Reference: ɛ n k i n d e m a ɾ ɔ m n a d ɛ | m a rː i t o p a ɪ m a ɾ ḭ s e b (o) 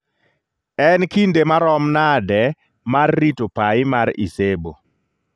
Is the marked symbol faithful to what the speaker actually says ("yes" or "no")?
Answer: yes